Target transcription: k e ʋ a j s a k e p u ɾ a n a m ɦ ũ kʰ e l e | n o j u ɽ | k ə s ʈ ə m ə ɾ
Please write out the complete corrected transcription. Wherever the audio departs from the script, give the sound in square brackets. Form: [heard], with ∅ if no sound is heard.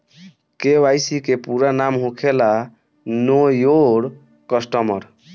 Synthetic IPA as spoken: k e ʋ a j s [i] k e p u ɾ a n a m ɦ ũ kʰ e l [a] | n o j [o] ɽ | k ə s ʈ ə m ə ɾ